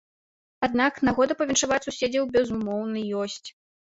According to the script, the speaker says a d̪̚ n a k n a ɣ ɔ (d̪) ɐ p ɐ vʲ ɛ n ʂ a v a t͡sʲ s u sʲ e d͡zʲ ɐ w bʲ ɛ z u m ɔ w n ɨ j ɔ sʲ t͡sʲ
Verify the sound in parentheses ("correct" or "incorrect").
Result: correct